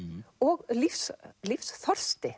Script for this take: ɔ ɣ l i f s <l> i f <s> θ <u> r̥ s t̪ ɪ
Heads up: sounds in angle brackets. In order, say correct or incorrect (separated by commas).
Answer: correct, correct, incorrect